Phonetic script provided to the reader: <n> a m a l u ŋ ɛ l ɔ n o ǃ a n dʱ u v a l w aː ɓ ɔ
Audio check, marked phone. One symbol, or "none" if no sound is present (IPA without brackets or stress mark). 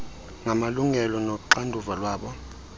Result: ŋ